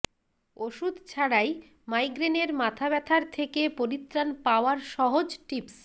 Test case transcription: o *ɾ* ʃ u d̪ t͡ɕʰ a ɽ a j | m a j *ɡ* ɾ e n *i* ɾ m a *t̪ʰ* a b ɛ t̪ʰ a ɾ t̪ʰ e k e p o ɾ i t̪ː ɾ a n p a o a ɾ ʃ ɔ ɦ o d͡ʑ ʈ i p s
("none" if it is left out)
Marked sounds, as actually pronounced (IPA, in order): none, ɡ, e, t̪ʰ

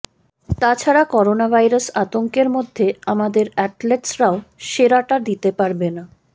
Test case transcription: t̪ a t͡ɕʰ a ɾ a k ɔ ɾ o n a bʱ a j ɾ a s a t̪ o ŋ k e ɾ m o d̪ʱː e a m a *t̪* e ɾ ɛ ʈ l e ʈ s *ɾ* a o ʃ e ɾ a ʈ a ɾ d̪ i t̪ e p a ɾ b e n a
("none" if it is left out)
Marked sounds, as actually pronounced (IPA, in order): d̪, ɾ

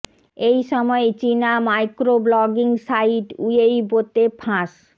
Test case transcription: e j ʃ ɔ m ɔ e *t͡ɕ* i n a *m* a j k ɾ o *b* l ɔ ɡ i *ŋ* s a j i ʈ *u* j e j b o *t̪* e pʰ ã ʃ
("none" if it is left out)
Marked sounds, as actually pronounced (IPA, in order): t͡ɕ, m, b, ŋ, u, t̪

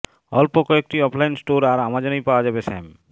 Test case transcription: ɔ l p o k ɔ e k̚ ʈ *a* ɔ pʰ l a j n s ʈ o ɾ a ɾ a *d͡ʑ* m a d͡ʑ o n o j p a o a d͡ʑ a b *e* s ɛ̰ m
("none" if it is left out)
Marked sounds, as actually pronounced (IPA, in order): i, none, e

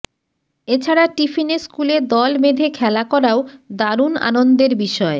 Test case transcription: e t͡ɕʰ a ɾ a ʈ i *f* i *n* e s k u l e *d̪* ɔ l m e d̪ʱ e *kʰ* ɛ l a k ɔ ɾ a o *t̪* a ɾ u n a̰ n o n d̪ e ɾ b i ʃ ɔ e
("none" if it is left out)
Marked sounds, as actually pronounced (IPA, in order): f, n, d̪, kʰ, d̪

